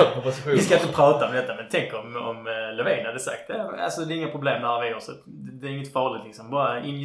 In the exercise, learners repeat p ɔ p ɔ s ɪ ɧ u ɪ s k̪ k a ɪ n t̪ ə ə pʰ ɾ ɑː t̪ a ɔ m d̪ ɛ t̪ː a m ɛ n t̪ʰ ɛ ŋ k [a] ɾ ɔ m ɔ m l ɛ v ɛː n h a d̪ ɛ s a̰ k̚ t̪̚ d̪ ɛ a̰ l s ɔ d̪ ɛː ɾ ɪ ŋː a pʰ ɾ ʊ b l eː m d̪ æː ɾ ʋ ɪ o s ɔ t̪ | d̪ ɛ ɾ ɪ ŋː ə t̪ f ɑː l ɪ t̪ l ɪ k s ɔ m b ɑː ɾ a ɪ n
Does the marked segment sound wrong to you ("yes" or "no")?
yes